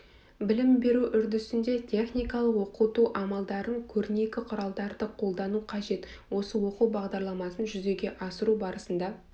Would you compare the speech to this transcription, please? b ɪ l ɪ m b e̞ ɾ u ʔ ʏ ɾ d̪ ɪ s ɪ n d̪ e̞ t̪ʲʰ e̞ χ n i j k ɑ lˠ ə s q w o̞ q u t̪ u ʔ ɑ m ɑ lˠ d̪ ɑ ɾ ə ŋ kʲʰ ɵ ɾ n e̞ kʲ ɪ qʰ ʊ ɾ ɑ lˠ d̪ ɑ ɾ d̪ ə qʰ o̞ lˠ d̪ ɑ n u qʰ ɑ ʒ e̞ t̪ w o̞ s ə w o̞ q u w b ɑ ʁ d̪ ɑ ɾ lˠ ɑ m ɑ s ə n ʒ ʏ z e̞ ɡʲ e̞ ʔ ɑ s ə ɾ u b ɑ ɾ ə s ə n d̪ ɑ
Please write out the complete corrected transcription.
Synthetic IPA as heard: b ɪ l ɪ m b e̞ ɾ u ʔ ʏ ɾ d̪ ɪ s ɪ n d̪ e̞ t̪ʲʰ e̞ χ n i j k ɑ lˠ ə q w o̞ q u t̪ u ʔ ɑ m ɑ lˠ d̪ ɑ ɾ ə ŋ kʲʰ ɵ ɾ n e̞ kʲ ɪ qʰ ʊ ɾ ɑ lˠ d̪ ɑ ɾ d̪ ə qʰ o̞ lˠ d̪ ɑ n u qʰ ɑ ʒ e̞ t̪ w o̞ s ə w o̞ q u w b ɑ ʁ d̪ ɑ ɾ lˠ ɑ m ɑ s ə n ʒ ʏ z e̞ ɡʲ e̞ ʔ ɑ s ə ɾ u b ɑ ɾ ə s ə n d̪ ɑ

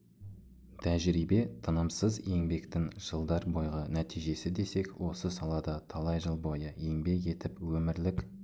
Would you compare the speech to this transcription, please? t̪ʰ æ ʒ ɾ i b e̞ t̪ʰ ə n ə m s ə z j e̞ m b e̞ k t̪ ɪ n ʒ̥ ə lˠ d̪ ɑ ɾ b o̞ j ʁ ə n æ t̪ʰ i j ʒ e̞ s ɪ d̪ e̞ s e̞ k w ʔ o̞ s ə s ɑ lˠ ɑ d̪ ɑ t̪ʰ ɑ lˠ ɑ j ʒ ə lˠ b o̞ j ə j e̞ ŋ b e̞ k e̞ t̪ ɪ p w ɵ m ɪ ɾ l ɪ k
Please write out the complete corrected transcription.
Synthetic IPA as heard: t̪ʰ æ ʒ ɾ i b e̞ t̪ʰ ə n ə m s ə z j e̞ ŋ b e̞ k t̪ ɪ ŋ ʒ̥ ə lˠ d̪ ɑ ɾ b o̞ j ʁ ə n æ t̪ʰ i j ʒ e̞ s ɪ d̪ e̞ s e̞ k w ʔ o̞ s ə s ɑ lˠ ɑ d̪ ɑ t̪ʰ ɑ lˠ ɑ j ʒ ə lˠ b o̞ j ə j e̞ ŋ b e̞ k e̞ t̪ ɪ p w ɵ m ɪ ɾ l ɪ k

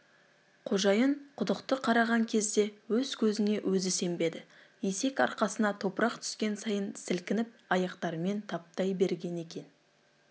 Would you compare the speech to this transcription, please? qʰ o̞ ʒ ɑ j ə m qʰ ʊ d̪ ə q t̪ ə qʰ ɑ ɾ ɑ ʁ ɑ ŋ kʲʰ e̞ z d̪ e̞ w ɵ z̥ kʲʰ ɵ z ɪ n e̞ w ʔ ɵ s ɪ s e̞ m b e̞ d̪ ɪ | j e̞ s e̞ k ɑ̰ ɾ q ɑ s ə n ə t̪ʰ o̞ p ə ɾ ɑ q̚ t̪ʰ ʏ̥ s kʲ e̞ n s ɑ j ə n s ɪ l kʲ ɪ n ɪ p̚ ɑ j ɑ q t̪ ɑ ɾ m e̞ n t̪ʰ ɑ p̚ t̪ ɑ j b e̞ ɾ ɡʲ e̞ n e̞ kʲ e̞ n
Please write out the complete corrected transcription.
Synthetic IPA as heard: qʰ o̞ ʒ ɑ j ə ɴ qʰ ʊ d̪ ə q t̪ ə qʰ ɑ ɾ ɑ ʁ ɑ ŋ kʲʰ e̞ z d̪ e̞ w ɵ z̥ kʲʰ ɵ z ɪ n e̞ w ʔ ɵ z ɪ s e̞ m b e̞ d̪ ɪ | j e̞ s e̞ k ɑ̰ ɾ q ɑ s ə n ɑ t̪ʰ o̞ p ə ɾ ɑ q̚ t̪ʰ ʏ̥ s kʲ e̞ n s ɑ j ə n s ɪ l kʲ ɪ n ɪ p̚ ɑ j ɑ q t̪ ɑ ɾ m e̞ n t̪ʰ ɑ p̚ t̪ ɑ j b e̞ ɾ ɡʲ e̞ n e̞ kʲ e̞ n

